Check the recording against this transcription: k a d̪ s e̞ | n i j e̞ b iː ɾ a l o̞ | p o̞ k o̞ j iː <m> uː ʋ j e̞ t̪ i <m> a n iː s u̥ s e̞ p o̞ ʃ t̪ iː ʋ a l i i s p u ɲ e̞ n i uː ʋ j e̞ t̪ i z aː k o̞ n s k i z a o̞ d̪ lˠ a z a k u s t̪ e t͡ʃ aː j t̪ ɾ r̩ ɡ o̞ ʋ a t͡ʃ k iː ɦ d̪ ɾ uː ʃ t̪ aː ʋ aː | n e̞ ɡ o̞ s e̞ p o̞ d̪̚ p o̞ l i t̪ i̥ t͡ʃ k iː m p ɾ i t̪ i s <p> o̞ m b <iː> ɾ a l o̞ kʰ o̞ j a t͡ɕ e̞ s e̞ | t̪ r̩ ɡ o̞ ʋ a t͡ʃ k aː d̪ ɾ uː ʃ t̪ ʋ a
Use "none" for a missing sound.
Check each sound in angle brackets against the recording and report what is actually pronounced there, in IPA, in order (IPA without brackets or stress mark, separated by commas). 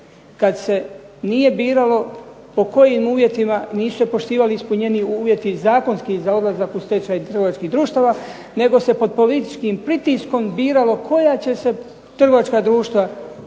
m, m, k, iː